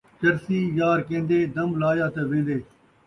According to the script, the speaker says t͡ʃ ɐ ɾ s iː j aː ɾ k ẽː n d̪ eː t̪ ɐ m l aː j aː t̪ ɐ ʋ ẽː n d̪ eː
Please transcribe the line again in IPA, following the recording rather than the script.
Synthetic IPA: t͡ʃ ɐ ɾ s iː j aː ɾ k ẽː n d̪ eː d̪ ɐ m l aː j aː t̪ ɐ ʋ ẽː n d̪ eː